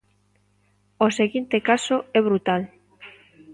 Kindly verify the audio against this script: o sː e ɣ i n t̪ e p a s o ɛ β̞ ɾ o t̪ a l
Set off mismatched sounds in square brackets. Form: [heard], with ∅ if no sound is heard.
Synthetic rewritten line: o [s] e ɣ i n t̪ e [k] a s o ɛ β̞ ɾ [u] t̪ a l